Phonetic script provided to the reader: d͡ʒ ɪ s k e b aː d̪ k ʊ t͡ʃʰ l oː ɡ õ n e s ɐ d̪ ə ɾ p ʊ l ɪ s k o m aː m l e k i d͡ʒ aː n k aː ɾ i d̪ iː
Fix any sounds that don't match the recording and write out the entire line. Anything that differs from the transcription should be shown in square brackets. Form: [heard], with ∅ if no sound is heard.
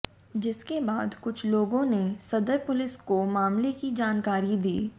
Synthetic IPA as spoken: d͡ʒ ɪ s k e b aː d̪ k ʊ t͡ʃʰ l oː ɡ õ n e s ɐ d̪ ə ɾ p ʊ l ɪ s k o m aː m l e k i d͡ʒ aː n k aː ɾ i d̪ iː